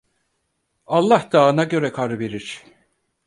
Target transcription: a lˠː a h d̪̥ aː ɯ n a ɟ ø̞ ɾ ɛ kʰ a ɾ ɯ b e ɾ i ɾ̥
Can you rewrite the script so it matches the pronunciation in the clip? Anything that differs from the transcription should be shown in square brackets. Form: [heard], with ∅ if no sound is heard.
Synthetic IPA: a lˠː a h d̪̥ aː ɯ n a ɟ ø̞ ɾ ɛ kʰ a ɾ ɯ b e ɾ i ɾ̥